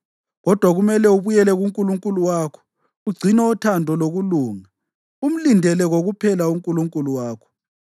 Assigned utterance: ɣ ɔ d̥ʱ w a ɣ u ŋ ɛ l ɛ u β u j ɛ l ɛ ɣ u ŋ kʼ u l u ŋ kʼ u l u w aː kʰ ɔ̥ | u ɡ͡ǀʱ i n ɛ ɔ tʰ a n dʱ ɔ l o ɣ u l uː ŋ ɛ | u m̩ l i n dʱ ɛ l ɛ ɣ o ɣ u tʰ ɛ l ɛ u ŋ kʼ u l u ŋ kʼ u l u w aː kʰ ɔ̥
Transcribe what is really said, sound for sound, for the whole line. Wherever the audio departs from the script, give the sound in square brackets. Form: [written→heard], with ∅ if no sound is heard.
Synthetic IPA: ɣ ɔ d̥ʱ w a ɣ u [ŋ→m] ɛ l ɛ u β u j ɛ l ɛ ɣ u ŋ kʼ u l u ŋ kʼ u l u w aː kʰ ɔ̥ | u ɡ͡ǀʱ i n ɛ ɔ tʰ a n dʱ ɔ l o ɣ u l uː ŋ [ɛ→a] | u m̩ l i n dʱ ɛ l ɛ ɣ o ɣ u [tʰ→pʰ] ɛ l [ɛ→a] u ŋ kʼ u l u ŋ kʼ u l u w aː kʰ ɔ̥